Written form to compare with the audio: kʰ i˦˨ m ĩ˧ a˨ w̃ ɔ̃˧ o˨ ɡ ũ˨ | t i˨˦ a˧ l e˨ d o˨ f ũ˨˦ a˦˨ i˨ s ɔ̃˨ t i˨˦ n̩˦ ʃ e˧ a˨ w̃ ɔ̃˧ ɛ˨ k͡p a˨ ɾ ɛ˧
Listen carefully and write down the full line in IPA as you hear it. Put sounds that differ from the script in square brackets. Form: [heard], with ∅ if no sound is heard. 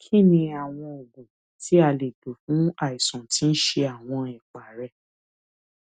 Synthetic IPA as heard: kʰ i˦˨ [n] ĩ˧ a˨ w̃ ɔ̃˧ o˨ ɡ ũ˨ | t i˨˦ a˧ l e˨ d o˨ f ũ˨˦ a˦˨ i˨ s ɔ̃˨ t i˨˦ n̩˦ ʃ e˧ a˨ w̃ ɔ̃˧ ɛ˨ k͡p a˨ ɾ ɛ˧